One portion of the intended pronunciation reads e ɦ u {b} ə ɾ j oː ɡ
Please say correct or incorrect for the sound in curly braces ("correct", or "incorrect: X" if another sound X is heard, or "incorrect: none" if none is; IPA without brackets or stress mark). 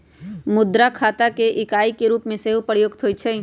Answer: incorrect: p